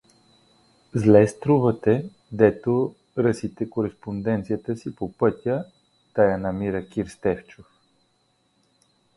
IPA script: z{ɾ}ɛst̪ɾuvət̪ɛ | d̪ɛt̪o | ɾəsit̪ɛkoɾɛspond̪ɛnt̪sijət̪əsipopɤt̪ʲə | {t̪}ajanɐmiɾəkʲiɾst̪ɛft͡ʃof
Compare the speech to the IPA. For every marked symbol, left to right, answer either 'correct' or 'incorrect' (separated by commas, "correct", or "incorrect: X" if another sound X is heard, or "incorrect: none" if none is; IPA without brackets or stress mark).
incorrect: l, correct